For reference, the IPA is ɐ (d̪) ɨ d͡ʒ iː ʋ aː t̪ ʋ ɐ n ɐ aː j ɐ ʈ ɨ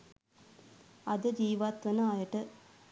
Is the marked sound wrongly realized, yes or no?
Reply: no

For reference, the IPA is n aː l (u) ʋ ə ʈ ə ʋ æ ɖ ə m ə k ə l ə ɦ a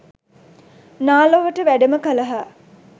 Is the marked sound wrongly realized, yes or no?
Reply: yes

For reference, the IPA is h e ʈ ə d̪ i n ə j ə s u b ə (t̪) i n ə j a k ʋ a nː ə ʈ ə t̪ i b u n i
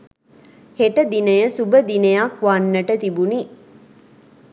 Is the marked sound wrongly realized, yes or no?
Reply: yes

